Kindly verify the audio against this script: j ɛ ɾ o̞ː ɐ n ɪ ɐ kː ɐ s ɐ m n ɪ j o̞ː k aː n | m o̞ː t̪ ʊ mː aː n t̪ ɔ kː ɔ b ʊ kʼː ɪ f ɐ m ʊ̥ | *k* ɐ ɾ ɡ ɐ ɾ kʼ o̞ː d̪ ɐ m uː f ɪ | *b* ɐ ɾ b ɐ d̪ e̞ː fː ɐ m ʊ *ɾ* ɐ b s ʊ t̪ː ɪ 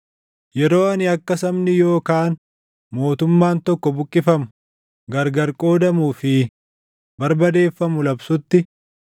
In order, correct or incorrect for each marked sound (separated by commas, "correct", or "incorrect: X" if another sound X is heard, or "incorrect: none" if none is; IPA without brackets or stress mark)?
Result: incorrect: ɡ, correct, incorrect: l